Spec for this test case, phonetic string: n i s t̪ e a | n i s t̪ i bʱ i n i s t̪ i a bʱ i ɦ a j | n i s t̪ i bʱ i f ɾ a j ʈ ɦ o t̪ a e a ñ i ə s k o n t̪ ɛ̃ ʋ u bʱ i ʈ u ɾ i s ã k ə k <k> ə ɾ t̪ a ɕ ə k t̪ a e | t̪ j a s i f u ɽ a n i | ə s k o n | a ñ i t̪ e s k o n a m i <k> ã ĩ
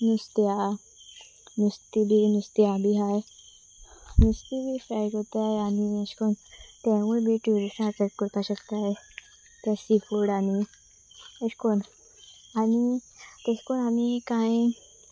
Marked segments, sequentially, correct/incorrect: correct, correct

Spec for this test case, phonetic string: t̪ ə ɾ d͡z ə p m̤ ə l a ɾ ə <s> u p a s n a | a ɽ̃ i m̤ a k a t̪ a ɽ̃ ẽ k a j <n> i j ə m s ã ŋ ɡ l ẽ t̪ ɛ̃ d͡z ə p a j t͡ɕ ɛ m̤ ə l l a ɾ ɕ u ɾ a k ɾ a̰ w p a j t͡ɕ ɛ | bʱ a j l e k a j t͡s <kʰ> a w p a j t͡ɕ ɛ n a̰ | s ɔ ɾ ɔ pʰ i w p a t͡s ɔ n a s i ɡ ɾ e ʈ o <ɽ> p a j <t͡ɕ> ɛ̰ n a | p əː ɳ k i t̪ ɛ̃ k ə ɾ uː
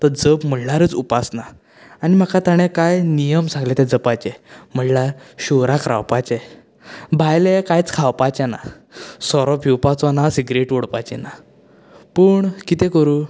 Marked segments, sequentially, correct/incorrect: incorrect: t͡s, correct, correct, correct, correct

